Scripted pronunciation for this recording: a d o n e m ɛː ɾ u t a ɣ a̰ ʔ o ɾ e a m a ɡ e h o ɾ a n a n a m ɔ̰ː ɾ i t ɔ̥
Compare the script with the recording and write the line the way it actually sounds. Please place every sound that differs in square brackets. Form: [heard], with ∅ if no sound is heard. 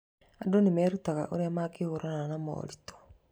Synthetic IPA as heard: a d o n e m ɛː ɾ u t a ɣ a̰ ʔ o ɾ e a m a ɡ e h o ɾ a n a n a m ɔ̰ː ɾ i t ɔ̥

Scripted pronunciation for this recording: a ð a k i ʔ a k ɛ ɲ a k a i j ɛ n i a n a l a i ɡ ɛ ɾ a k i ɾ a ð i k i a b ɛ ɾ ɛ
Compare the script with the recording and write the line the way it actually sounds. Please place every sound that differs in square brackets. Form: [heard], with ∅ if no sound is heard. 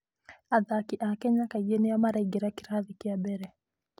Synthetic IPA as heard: a ð a k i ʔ a k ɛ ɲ a k a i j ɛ n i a [m] a [ɾ] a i ɡ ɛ ɾ a k i ɾ a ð i k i a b ɛ ɾ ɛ

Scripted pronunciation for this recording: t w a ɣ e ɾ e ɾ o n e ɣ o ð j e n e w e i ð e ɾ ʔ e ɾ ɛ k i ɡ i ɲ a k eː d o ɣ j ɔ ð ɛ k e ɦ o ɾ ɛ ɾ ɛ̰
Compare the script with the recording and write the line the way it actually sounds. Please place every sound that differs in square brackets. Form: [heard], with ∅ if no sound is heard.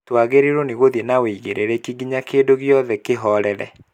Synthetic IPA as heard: t w a ɣ e ɾ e ɾ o n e ɣ o ð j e n [a] w e i [ɣ] e ɾ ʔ e ɾ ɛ k i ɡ i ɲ a k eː d o ɣ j ɔ ð ɛ k e ɦ [ɔ] ɾ ɛ ɾ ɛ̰

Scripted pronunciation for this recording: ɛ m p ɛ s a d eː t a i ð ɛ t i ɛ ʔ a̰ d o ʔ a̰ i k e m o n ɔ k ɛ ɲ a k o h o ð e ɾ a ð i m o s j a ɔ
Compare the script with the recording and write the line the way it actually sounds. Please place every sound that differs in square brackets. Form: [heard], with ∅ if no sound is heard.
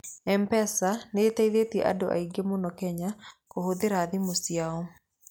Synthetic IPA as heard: ɛ m p ɛ s a [n] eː t a i ð [e] t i ɛ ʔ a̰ d o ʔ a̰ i [ɡ] e m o n ɔ k ɛ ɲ a k o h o ð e ɾ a ð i m o s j a ɔ

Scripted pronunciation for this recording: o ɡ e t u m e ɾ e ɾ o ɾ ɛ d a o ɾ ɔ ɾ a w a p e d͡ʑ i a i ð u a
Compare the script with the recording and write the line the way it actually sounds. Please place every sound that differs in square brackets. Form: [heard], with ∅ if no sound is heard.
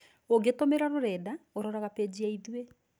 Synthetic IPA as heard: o ɡ e t [o] m e ɾ [a] ɾ o ɾ ɛ d a o ɾ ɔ ɾ a [ɣ] a p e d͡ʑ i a i ð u [e]

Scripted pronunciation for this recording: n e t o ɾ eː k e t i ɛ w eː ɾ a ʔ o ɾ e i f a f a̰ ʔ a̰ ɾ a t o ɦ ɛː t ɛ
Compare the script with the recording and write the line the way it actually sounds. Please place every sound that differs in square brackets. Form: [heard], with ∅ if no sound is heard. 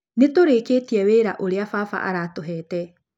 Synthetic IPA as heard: n e t o ɾ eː k e t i ɛ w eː ɾ a ʔ o ɾ e [a] f a f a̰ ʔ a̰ ɾ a t o ɦ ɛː t ɛ

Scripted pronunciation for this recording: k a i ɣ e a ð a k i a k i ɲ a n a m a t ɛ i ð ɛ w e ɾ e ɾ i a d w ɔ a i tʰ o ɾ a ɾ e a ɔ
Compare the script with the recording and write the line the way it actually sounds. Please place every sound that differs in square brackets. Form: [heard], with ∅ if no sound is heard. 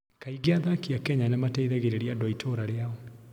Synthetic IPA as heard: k a i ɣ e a ð a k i a k [ɛ] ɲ a n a m a t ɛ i ð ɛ [ɣ] e ɾ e ɾ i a d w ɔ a i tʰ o ɾ a ɾ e a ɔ

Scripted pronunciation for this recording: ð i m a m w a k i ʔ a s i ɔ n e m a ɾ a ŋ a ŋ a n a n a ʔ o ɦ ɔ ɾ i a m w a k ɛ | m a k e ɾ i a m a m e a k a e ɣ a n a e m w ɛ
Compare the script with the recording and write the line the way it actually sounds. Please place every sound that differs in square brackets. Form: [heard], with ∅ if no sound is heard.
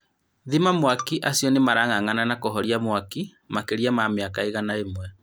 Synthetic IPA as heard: ð i m a m w a k i ʔ a s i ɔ n e m a ɾ a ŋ a ŋ a n a n a [k] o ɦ ɔ ɾ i a m w a k [i] | m a k e ɾ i a m a m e a k a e ɣ a n a e m w ɛ

